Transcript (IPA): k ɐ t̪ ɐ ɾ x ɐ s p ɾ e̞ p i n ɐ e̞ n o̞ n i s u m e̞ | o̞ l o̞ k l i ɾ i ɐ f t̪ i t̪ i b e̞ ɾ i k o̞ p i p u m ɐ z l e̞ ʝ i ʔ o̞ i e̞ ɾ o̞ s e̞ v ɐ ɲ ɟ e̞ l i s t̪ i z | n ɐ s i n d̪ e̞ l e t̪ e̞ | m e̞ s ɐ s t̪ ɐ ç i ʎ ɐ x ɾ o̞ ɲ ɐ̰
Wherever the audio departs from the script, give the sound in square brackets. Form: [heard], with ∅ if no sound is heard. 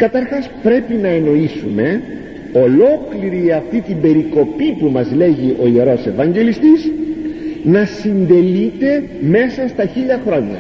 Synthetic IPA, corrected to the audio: k ɐ t̪ ɐ ɾ x ɐ s p ɾ e̞ p i n ɐ e̞ n o̞ [∅] i s u m e̞ | o̞ l o̞ k l i ɾ i ɐ f t̪ i t̪ i b e̞ ɾ i k o̞ p i p u m ɐ z l e̞ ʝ i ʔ o̞ i e̞ ɾ o̞ s e̞ v ɐ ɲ ɟ e̞ l i s t̪ i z | n ɐ s i n d̪ e̞ l [i] t̪ e̞ | m e̞ s ɐ s t̪ ɐ ç i ʎ ɐ x ɾ o̞ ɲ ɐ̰